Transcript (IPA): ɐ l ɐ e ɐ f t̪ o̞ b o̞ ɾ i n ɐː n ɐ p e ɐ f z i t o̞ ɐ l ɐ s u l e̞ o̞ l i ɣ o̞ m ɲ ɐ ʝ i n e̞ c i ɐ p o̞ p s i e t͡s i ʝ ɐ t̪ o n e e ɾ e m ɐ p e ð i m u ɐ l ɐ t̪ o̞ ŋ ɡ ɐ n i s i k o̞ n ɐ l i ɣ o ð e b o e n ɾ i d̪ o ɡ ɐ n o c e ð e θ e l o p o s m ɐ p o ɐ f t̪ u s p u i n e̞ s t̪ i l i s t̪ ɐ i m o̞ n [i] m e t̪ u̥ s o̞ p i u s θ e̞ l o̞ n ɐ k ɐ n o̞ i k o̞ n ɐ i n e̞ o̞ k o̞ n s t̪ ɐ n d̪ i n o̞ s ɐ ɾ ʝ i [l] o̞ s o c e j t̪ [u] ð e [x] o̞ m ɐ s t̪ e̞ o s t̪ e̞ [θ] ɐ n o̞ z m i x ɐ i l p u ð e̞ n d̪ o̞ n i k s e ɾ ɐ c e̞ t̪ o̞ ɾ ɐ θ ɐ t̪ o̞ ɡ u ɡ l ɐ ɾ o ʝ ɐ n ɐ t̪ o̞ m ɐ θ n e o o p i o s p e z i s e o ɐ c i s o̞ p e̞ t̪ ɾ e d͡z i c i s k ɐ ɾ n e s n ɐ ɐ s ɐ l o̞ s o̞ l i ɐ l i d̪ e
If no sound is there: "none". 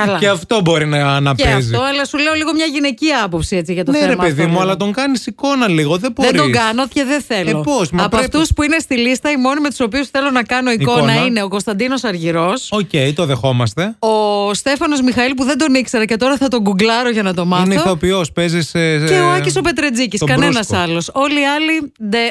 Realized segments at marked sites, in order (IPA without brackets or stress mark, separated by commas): i, ɾ, o, x, f